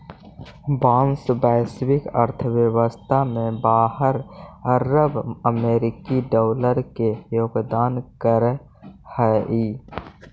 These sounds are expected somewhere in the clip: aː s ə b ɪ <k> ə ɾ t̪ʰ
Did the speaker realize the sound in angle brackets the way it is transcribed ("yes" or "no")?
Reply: yes